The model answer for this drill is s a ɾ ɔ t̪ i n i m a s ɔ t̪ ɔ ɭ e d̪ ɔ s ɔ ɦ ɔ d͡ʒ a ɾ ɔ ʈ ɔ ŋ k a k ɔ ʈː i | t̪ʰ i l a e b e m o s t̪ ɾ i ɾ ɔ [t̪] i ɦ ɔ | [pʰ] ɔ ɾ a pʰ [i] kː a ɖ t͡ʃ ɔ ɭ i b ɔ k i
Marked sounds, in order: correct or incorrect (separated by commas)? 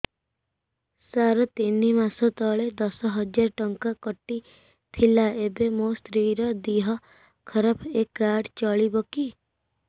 incorrect, incorrect, incorrect